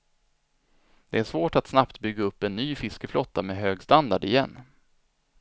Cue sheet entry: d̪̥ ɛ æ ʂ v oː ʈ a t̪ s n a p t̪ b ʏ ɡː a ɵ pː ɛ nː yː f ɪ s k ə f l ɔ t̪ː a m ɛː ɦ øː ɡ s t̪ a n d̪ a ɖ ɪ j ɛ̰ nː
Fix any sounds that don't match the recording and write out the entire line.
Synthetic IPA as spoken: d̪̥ ɛ æ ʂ v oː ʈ a t̪ s n a p t̪ b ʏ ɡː a ɵ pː ɛ nː yː f ɪ s k ə f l ɔ t̪ː a m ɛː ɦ øː ɡ s t̪ a n d̪ a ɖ ɪ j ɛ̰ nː